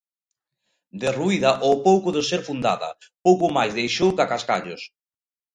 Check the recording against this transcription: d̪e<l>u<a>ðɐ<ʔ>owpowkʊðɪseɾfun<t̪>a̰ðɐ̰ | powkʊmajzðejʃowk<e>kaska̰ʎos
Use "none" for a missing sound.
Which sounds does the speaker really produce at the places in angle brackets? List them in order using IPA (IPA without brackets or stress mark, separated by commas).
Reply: r, i, ʔ, d̪, a